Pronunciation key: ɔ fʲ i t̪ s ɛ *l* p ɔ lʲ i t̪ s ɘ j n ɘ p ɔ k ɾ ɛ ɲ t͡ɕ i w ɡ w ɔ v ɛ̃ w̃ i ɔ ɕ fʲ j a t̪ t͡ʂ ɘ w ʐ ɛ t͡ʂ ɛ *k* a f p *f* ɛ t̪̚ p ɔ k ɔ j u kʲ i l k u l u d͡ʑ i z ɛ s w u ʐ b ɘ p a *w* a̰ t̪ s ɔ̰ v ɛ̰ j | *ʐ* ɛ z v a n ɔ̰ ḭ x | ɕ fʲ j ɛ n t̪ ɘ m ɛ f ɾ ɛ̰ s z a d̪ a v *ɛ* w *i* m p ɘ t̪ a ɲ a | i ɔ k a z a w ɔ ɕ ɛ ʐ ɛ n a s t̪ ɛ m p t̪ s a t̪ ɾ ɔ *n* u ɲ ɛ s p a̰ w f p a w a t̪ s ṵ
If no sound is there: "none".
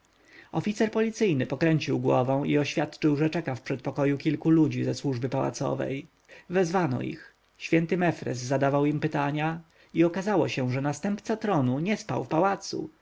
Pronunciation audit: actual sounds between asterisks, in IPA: ɾ, k, ʂ, w, v, a, i, n

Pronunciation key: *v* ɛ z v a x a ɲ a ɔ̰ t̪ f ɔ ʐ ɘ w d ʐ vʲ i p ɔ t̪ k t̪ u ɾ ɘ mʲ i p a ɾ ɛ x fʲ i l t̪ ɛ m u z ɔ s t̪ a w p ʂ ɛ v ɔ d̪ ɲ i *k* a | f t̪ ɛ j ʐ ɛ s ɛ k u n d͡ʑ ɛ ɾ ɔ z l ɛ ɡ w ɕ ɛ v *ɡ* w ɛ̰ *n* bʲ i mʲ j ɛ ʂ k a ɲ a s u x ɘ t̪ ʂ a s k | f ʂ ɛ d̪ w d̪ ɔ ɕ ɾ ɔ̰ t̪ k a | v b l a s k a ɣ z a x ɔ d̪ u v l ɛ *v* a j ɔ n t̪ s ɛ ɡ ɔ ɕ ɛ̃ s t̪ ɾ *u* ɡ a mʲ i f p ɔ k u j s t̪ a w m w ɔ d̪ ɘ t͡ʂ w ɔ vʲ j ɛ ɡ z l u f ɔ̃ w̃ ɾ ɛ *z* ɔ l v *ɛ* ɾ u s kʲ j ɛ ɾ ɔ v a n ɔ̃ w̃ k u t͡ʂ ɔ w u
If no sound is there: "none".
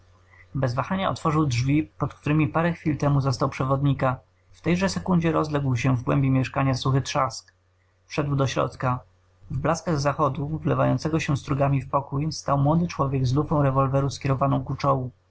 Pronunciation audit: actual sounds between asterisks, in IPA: b, k, ɡ, m, v, u, v, ɛ

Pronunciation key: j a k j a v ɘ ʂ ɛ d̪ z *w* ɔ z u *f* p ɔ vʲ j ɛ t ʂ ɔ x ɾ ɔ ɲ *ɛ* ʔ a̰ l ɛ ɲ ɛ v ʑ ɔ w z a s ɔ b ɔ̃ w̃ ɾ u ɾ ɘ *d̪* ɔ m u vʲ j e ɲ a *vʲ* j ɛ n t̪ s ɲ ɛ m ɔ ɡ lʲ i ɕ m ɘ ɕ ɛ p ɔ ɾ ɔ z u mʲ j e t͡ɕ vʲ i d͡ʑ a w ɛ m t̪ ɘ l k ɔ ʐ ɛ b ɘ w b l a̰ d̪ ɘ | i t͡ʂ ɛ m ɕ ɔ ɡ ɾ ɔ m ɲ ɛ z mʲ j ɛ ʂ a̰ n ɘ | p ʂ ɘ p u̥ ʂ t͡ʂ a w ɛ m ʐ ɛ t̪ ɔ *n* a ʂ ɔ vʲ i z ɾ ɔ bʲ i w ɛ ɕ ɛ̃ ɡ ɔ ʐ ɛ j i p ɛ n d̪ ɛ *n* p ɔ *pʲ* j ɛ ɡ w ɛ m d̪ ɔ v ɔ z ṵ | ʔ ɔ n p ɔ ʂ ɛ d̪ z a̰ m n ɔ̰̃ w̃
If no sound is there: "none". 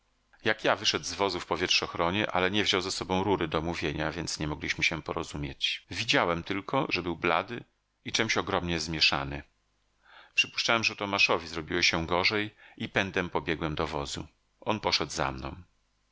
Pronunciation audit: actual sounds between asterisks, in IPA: v, f, ɛ, d̪, vʲ, m, m, bʲ

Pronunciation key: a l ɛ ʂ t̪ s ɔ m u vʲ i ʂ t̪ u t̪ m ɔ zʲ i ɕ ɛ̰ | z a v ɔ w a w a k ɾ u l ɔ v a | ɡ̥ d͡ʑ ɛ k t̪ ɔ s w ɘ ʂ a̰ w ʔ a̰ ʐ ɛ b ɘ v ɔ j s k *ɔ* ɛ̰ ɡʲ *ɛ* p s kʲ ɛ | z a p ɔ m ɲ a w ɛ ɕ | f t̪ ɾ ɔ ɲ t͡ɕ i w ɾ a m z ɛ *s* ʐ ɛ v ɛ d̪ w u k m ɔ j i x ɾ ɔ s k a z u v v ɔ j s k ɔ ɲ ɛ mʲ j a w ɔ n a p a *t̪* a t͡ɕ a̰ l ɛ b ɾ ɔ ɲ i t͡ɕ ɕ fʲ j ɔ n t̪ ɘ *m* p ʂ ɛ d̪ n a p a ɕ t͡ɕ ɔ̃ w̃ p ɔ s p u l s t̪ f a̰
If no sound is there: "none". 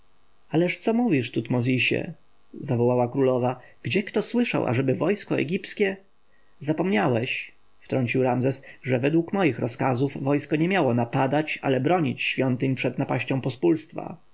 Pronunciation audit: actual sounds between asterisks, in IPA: ɔ, i, s, d̪, ɲ

